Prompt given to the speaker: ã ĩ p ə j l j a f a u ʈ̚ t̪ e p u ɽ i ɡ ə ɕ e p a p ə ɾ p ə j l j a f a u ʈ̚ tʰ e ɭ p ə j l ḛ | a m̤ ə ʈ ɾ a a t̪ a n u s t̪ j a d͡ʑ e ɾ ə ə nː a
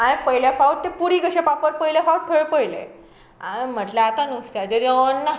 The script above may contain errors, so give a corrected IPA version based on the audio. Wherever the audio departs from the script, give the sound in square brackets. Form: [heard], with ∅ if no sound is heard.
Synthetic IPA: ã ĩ p ə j l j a f a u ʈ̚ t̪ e p u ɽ i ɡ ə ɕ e p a p ə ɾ p ə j l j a f a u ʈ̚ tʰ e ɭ p ə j l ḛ | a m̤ ə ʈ [l] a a t̪ a n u s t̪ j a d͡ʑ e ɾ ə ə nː a

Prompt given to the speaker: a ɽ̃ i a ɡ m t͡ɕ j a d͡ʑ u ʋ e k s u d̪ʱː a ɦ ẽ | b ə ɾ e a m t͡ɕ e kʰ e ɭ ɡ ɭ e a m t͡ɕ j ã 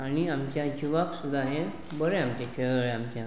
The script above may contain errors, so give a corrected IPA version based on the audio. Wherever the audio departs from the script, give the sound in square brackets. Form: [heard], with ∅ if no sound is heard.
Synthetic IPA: a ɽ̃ i a [∅] m t͡ɕ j a d͡ʑ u ʋ [a] k s u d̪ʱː a ɦ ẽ | b ə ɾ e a m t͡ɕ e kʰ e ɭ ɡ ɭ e a m t͡ɕ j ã

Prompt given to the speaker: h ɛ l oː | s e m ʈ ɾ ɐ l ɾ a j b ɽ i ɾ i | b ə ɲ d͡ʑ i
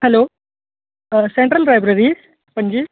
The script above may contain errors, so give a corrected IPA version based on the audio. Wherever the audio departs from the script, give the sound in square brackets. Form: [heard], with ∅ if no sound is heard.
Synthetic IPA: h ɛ l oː | s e [ɳ] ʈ ɾ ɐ l ɾ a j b [ɾ] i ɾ i | [p] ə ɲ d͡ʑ i

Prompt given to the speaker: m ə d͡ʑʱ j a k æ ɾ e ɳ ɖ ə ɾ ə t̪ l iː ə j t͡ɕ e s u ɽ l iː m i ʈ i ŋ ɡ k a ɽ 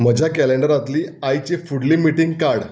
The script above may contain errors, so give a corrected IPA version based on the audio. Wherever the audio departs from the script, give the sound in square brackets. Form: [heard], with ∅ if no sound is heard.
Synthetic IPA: m ə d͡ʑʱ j a k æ [l] e ɳ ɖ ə ɾ [a] t̪ l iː [a] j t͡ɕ e [f] u ɽ l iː m i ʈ i ŋ ɡ k a ɽ

